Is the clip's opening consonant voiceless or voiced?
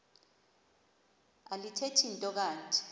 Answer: voiced